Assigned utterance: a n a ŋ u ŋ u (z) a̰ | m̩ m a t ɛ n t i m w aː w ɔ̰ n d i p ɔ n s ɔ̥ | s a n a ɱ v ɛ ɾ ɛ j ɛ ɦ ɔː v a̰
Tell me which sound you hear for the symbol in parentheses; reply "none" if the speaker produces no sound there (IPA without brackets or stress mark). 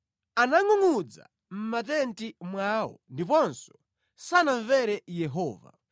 d͡z